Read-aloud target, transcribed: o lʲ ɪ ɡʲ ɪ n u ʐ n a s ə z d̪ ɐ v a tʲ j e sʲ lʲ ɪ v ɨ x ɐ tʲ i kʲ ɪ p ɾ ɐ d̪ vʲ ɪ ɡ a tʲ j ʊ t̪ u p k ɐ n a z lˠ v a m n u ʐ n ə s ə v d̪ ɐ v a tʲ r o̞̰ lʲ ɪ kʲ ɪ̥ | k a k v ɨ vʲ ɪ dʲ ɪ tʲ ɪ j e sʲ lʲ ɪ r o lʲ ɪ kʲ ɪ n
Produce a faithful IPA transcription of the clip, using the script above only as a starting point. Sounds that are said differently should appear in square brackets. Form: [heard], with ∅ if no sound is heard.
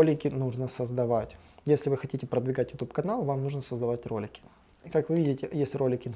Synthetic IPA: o lʲ ɪ [kʲ] ɪ n u ʐ n [ə] s ə z d̪ ɐ v a tʲ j e sʲ lʲ ɪ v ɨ x ɐ tʲ i [tʲ] ɪ p ɾ [ə] d̪ vʲ ɪ ɡ a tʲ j ʊ t̪ u p k ɐ n a [∅] lˠ v a m n u ʐ n ə s ə [z] d̪ ɐ v a tʲ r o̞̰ lʲ ɪ kʲ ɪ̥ | k a k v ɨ vʲ [i] dʲ ɪ tʲ ɪ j e sʲ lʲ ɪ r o lʲ ɪ kʲ ɪ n

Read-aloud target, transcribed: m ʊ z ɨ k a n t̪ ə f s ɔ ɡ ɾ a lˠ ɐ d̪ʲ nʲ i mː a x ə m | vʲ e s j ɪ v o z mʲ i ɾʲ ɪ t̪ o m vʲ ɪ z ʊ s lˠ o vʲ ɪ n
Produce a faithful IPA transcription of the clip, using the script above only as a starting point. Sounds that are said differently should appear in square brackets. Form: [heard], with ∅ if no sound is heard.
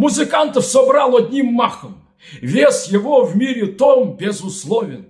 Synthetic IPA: m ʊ z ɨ k a n t̪ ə f s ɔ [b] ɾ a lˠ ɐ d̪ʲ nʲ i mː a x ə m | vʲ e s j ɪ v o [v] mʲ i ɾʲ ɪ t̪ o m [bʲ] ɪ z ʊ s lˠ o vʲ ɪ n

